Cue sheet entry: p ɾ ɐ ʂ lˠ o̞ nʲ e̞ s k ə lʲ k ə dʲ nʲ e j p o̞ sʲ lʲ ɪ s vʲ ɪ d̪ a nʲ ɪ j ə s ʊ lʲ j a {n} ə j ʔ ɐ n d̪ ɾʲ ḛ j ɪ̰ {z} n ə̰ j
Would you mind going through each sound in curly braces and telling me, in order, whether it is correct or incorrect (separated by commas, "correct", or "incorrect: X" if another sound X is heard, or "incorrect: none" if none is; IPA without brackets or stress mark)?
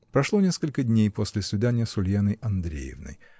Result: correct, incorrect: v